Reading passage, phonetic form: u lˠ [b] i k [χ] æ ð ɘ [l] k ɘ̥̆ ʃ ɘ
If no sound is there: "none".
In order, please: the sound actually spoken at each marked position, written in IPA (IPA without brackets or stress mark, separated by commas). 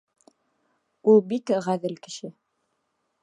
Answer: b, ʁ, l